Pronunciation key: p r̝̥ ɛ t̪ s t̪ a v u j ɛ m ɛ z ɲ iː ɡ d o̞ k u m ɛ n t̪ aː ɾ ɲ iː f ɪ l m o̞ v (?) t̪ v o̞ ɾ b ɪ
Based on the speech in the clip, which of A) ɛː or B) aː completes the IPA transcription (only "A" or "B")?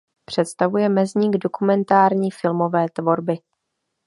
A